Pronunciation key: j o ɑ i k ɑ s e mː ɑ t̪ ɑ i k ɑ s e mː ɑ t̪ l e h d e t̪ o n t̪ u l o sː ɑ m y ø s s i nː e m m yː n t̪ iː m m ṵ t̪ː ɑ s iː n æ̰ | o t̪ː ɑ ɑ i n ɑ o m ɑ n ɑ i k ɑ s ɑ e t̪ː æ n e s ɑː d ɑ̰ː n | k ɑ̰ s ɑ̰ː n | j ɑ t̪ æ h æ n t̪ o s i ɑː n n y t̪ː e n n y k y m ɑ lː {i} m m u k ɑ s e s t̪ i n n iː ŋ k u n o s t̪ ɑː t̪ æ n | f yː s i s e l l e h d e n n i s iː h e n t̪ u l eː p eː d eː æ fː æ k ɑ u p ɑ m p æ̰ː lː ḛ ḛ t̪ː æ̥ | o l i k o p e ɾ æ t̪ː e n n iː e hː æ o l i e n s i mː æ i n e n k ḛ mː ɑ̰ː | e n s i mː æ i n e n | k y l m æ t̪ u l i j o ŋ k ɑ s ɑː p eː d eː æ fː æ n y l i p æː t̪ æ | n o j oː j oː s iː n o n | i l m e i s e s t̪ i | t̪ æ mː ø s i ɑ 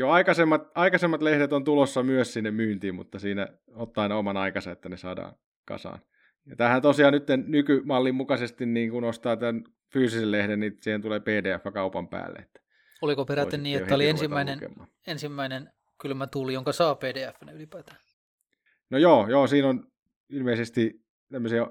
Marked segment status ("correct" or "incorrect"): correct